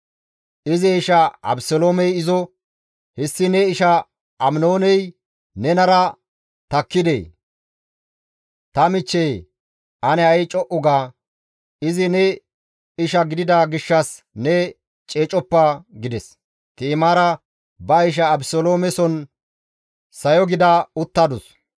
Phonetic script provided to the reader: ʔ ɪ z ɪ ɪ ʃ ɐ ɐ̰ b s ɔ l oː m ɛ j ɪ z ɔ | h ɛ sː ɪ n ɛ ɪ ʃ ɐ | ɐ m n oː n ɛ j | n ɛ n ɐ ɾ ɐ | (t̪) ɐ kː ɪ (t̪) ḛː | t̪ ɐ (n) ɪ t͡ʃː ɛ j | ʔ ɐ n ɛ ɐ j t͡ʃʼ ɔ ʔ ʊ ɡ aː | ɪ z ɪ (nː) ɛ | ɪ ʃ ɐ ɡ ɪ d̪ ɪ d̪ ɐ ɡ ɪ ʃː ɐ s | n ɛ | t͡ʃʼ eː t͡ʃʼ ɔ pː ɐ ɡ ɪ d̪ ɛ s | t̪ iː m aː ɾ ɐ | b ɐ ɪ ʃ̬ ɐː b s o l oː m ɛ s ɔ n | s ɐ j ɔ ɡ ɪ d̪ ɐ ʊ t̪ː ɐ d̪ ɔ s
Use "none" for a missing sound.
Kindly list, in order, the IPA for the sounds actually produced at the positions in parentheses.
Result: t̪, d̪, m, n

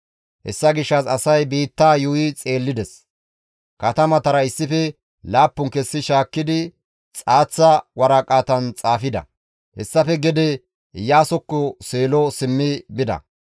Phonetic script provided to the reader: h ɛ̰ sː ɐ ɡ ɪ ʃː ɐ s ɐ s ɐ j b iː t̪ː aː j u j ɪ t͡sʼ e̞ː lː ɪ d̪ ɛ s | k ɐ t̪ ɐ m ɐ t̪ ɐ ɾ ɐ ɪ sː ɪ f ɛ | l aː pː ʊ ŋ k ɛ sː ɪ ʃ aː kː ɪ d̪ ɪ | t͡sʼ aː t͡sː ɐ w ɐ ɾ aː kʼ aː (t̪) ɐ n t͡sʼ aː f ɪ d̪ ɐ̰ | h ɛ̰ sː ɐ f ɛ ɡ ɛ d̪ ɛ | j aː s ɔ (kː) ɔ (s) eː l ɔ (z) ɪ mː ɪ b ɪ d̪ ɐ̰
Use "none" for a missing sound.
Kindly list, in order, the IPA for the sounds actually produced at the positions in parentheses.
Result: t̪, kː, s, s

